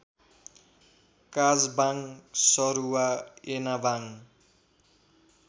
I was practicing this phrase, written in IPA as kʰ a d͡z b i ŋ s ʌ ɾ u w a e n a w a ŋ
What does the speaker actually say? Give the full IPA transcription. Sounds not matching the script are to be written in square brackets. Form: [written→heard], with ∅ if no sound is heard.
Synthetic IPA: [kʰ→k] a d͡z b [i→a] ŋ s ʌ ɾ u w a e n a [w→b] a ŋ